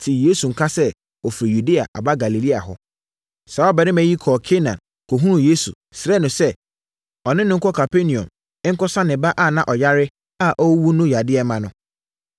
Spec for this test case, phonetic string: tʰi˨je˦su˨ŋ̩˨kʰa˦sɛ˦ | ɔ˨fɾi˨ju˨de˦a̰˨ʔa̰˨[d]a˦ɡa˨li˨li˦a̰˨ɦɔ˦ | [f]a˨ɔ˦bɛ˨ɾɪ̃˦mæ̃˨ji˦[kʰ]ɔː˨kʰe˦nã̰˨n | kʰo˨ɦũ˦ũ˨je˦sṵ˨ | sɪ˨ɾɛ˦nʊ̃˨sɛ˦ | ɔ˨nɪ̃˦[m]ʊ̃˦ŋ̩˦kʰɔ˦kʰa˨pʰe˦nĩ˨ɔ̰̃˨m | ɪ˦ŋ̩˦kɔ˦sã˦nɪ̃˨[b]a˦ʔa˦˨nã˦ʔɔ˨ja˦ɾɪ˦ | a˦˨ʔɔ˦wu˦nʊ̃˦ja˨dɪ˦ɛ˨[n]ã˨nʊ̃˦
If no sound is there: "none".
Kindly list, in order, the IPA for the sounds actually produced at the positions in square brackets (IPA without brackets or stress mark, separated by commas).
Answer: b, s, kʰ, n, b, m